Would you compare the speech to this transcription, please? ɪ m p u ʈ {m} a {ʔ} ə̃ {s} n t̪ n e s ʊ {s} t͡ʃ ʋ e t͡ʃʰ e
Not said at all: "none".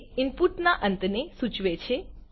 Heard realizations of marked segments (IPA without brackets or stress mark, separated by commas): n, ʔ, none, none